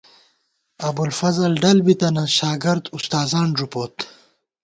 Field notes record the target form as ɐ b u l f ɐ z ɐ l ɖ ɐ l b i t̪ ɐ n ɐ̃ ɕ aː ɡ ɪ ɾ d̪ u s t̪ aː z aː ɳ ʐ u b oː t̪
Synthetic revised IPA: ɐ b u l f ɐ z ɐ l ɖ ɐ l b i t̪ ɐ n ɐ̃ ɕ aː ɡ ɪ ɾ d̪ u s t̪ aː z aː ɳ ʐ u p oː t̪